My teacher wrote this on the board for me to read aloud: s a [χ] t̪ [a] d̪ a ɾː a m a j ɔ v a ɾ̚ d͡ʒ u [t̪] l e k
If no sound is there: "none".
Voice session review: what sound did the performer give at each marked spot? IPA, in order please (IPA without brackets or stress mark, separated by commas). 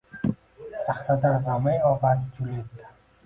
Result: χ, a, none